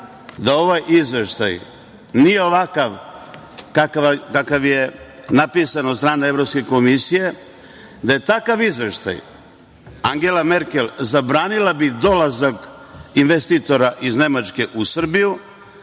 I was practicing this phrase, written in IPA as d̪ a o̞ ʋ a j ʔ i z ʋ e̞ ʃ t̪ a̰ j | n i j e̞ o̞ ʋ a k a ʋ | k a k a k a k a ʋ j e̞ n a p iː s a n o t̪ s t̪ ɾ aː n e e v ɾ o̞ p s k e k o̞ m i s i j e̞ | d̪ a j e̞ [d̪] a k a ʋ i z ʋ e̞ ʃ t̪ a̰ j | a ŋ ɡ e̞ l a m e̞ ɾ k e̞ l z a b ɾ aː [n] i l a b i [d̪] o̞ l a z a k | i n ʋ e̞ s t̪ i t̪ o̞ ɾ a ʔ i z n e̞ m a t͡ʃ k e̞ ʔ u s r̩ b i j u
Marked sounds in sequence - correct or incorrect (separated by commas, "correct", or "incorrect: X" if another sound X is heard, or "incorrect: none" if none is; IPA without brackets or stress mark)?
incorrect: t̪, correct, correct